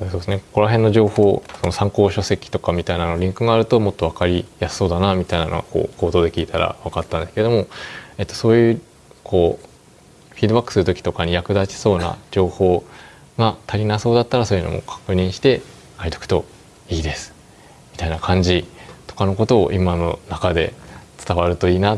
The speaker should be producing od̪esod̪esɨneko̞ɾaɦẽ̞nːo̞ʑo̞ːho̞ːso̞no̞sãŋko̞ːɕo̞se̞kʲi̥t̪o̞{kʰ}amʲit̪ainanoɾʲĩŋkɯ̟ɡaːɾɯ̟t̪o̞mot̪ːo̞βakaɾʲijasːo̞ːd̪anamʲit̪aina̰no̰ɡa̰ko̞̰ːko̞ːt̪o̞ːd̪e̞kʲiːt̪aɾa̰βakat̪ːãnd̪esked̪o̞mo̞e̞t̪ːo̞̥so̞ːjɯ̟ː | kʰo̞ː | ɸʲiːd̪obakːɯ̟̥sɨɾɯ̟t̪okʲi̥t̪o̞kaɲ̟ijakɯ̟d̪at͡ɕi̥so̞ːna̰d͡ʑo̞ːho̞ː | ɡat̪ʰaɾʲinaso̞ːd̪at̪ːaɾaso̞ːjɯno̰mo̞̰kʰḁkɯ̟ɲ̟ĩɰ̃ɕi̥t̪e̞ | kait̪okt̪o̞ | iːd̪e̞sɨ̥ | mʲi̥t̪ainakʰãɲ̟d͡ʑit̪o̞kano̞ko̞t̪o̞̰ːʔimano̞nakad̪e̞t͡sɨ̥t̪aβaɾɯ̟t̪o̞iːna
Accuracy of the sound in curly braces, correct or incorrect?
incorrect